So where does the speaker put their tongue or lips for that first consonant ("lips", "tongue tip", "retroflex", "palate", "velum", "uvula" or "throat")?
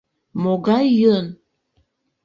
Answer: lips